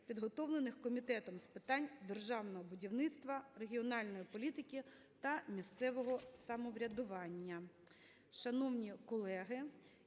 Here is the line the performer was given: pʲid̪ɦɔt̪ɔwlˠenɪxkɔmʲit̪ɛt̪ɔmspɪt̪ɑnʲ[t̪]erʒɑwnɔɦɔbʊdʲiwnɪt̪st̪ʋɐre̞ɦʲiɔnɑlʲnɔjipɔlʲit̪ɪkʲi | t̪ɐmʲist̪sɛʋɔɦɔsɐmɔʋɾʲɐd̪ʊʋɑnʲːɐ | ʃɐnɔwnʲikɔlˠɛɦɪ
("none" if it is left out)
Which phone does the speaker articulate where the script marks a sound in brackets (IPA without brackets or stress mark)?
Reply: d̪